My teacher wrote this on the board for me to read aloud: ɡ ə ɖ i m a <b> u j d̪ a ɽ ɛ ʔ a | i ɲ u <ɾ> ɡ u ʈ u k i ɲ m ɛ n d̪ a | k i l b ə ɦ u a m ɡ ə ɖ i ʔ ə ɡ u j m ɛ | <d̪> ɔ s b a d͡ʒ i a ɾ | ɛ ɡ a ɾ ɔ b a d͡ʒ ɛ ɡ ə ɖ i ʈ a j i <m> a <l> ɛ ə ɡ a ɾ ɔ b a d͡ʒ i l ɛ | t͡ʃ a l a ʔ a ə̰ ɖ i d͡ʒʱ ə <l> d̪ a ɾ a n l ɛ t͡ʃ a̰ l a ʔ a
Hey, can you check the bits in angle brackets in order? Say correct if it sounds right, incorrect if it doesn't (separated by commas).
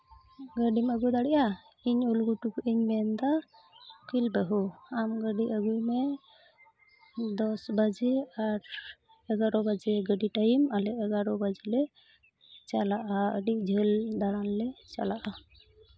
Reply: incorrect, incorrect, correct, correct, correct, correct